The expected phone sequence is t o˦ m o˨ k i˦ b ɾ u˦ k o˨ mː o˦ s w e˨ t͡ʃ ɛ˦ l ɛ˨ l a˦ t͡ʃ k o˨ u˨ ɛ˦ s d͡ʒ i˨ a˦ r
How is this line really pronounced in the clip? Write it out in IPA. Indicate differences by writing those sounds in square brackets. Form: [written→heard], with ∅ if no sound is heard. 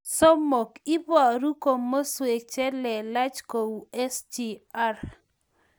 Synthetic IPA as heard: [t→s] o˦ m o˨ k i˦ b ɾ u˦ k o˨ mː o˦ s w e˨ t͡ʃ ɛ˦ l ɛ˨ l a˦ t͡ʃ k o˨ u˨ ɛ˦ s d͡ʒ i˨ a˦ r